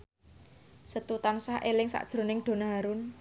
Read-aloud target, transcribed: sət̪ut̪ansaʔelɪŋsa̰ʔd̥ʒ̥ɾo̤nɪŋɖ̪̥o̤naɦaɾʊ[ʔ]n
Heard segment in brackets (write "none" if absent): none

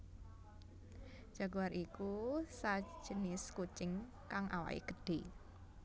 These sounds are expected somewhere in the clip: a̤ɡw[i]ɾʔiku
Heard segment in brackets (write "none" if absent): a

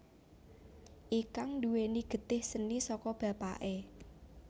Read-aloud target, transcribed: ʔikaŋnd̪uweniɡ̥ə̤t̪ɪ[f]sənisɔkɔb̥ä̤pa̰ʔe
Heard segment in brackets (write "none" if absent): h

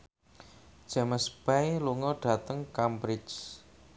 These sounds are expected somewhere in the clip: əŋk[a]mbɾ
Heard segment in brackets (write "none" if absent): a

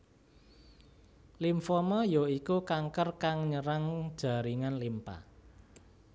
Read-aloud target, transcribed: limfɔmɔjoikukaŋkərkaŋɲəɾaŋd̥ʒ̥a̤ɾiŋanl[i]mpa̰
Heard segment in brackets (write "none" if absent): i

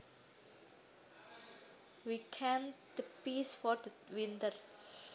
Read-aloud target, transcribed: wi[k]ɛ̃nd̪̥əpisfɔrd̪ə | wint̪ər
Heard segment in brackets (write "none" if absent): kʰ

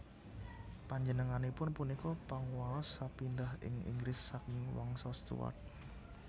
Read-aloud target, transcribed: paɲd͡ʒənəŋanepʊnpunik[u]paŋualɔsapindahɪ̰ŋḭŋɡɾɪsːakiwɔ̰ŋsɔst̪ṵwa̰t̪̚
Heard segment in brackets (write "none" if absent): ɔ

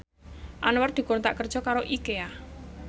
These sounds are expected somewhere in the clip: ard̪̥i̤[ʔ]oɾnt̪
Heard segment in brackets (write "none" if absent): k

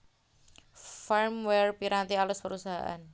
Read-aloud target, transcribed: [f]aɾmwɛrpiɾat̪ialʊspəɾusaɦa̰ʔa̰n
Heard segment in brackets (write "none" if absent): f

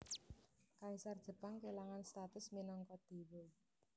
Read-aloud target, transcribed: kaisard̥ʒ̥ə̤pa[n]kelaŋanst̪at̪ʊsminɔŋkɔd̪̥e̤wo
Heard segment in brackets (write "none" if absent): ŋ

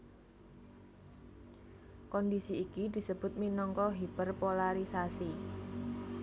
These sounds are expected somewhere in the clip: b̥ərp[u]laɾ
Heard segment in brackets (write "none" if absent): o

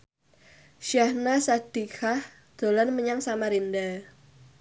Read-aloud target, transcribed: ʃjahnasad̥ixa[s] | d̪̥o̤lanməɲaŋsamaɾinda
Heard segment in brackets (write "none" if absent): h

